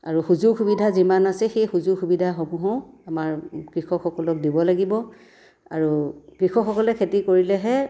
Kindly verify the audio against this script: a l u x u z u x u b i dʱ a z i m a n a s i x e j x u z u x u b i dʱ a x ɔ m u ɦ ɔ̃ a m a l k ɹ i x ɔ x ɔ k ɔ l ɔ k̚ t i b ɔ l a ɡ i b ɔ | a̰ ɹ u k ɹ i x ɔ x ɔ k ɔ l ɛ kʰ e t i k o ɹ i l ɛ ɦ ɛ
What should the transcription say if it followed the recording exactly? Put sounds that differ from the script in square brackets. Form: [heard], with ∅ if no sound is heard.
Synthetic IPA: a [ɹ] u x u z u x u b i dʱ a z i m a n a s [ɛ] x e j x u z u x u b i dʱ a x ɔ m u ɦ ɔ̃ a m a [ɹ] k ɹ i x ɔ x ɔ k ɔ l ɔ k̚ [d] i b ɔ l a ɡ i b ɔ | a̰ ɹ u k ɹ i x ɔ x ɔ k ɔ l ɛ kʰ e t i k o ɹ i l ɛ ɦ ɛ